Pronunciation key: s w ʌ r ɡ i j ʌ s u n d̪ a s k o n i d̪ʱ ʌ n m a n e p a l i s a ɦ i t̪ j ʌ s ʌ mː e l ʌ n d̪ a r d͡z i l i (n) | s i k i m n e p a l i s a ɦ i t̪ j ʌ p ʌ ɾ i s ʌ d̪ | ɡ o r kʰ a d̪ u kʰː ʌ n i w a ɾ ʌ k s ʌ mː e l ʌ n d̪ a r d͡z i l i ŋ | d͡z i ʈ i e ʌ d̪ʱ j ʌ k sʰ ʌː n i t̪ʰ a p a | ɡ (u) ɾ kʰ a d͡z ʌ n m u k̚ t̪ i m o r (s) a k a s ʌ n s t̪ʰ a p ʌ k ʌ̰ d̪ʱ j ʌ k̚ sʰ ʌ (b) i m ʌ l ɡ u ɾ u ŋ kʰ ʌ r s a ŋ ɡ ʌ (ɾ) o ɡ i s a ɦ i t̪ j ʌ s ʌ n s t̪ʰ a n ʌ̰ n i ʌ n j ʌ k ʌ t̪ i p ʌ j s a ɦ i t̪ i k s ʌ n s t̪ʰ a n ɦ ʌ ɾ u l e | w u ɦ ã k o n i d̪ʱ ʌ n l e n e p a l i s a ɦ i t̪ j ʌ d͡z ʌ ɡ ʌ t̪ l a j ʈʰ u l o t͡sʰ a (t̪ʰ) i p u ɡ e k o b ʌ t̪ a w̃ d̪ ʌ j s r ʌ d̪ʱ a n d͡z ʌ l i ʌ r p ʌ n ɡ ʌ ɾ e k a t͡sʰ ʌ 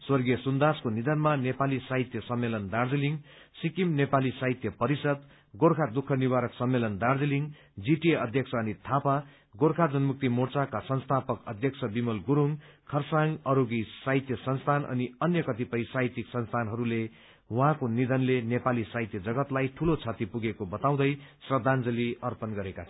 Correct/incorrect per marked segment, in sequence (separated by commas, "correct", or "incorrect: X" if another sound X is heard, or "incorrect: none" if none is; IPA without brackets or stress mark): incorrect: ŋ, incorrect: o, incorrect: t͡s, correct, correct, incorrect: t̪